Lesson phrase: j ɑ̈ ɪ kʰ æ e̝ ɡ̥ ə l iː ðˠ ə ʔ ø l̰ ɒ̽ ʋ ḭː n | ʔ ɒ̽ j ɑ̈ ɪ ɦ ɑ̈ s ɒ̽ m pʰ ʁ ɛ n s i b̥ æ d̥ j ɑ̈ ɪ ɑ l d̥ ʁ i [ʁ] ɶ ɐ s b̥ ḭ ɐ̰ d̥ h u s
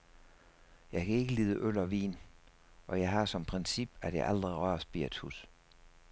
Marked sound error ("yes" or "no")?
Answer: no